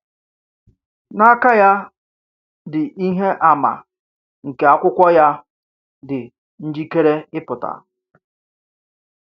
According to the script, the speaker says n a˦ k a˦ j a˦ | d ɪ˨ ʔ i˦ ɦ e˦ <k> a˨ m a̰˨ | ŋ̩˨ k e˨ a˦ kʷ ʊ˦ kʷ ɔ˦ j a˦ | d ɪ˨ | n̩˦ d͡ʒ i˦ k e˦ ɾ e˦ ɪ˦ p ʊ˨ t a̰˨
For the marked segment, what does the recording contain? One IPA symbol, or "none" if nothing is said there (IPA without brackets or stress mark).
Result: ʔ